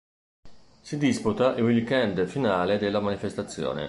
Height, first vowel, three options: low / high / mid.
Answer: high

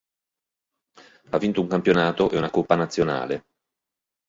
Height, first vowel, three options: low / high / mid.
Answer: low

